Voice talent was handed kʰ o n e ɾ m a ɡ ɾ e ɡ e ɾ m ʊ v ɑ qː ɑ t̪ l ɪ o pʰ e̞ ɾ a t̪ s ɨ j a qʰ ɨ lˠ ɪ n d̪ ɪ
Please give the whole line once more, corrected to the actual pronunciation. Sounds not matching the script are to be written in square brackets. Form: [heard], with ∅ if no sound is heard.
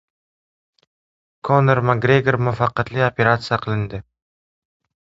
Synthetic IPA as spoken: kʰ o n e ɾ m a ɡ ɾ e ɡ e ɾ m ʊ [f] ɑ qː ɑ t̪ l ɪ o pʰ e̞ ɾ a t̪ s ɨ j a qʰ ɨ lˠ ɪ n d̪ ɪ